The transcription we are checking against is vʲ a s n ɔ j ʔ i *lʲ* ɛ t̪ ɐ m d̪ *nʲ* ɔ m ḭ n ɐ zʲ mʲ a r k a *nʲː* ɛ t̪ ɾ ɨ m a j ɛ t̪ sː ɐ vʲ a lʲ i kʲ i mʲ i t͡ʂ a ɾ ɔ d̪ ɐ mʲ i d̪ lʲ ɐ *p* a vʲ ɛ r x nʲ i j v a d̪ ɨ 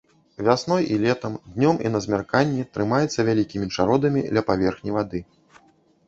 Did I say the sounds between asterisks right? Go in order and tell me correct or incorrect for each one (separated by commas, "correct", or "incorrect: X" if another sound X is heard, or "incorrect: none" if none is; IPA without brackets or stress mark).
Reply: correct, correct, correct, correct